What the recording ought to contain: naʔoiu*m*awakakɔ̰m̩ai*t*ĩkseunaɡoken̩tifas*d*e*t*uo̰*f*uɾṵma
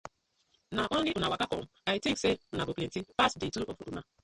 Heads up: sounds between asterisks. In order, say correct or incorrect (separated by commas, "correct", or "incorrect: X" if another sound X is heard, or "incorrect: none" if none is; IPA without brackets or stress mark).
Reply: incorrect: n, correct, correct, correct, correct